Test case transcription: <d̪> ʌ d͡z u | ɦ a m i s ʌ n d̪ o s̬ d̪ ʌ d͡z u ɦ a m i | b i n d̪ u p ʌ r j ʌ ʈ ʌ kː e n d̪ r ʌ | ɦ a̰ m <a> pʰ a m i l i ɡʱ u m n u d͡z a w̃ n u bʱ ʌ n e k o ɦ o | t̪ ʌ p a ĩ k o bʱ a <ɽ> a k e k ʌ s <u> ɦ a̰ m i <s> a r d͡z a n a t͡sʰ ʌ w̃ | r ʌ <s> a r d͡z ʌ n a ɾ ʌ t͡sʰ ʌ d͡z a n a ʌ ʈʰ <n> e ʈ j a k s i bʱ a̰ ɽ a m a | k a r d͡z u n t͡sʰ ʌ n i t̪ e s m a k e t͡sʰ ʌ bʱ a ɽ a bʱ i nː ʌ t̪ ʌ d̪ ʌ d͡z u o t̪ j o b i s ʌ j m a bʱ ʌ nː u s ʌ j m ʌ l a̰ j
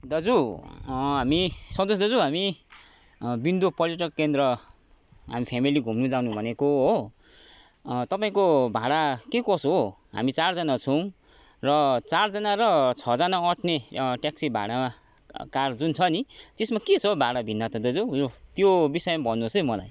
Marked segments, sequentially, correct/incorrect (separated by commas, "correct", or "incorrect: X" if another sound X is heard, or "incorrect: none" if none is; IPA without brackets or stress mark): correct, incorrect: i, correct, incorrect: o, incorrect: t͡s, incorrect: t͡s, correct